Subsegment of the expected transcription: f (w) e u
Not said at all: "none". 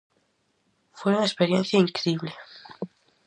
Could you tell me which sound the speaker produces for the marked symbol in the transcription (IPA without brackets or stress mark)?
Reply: w